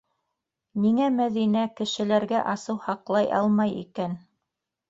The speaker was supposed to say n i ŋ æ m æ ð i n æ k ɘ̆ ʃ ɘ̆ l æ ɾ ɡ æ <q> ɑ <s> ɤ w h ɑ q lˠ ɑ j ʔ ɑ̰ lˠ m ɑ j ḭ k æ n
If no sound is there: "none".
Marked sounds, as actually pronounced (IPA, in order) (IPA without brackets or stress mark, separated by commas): ʔ, s